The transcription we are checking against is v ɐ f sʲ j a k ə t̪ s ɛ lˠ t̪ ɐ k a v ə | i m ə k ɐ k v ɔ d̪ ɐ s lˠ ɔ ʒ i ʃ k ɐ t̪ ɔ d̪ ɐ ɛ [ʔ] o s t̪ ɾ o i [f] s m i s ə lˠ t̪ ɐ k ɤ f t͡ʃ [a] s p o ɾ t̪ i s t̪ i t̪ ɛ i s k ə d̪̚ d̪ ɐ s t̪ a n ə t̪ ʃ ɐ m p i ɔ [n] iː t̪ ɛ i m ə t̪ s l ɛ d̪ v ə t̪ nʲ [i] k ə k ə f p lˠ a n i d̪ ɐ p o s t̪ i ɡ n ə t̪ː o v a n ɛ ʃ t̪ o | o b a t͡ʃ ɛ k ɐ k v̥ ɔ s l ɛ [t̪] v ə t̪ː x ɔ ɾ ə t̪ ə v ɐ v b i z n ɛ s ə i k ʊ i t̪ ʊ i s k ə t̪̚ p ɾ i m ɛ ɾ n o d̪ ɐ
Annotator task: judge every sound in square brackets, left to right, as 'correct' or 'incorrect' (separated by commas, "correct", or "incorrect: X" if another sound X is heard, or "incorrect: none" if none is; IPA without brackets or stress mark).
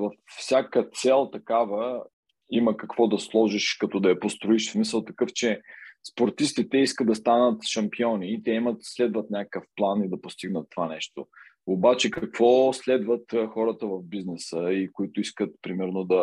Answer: incorrect: p, incorrect: ʃ, incorrect: ɛ, correct, incorrect: a, incorrect: d̪